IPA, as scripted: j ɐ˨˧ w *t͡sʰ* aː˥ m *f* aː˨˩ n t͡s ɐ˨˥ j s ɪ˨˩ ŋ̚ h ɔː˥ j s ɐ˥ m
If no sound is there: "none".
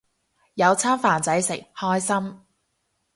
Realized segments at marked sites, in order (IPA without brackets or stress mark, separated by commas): t͡sʰ, f